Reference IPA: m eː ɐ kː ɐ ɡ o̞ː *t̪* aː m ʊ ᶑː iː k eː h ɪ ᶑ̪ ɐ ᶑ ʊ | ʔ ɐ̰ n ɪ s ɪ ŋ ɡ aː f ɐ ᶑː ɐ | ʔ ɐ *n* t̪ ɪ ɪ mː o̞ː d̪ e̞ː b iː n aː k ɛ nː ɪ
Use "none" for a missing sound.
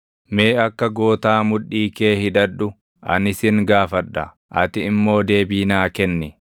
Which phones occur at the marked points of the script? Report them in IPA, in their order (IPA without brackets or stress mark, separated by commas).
t̪, none